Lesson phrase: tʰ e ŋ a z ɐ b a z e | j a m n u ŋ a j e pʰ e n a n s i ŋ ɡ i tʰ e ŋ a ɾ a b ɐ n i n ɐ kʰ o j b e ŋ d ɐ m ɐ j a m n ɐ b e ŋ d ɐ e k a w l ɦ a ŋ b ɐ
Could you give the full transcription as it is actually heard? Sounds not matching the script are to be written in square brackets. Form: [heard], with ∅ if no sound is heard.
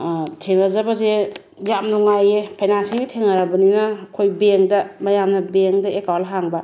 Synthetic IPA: tʰ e ŋ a z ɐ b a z e | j a m n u ŋ a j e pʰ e n a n s i ŋ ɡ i tʰ e ŋ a ɾ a b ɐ n i n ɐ kʰ o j b e ŋ d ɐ m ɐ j a m n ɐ b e ŋ d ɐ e k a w l ɦ a ŋ b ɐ